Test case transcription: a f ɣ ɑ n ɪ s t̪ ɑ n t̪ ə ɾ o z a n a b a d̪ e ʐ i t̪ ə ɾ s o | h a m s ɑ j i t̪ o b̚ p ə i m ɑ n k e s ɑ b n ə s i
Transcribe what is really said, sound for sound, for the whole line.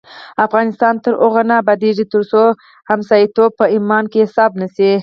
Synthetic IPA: a f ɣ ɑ n ɪ s t̪ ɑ n t̪ ə ɾ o ɣ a n a b a d̪ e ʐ i t̪ ə ɾ s o | h a m s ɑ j i t̪ o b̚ p ə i m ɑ n k e s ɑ b n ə s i